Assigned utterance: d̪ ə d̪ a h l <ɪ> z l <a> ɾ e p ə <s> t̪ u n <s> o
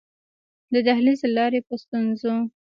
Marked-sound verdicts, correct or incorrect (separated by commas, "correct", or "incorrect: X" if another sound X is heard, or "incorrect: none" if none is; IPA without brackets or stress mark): incorrect: i, incorrect: ɑ, correct, incorrect: z